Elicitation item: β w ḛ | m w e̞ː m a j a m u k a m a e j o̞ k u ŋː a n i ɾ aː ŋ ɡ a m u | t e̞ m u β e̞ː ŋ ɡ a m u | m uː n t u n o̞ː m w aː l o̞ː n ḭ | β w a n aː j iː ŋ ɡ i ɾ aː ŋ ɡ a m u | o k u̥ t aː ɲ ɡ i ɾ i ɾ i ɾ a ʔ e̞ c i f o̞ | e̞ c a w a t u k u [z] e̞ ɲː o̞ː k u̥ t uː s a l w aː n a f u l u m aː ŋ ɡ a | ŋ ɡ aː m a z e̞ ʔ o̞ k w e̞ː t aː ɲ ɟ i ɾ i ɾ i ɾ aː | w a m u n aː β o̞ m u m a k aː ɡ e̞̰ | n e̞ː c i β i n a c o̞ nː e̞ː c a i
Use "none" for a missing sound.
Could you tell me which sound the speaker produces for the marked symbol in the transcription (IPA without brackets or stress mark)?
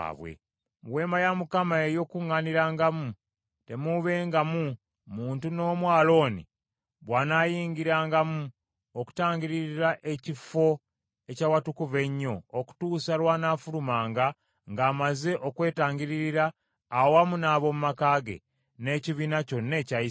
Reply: v